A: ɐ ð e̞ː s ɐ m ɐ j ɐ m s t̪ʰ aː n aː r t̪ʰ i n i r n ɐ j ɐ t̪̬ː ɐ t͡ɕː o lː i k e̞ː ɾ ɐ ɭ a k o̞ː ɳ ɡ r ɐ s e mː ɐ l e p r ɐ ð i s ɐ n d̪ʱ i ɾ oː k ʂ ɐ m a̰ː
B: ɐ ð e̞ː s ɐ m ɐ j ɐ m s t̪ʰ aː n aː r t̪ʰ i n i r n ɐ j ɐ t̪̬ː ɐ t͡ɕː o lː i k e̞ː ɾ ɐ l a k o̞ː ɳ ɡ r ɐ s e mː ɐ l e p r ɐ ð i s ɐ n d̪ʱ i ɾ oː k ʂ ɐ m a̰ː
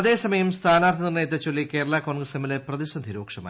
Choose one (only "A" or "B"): A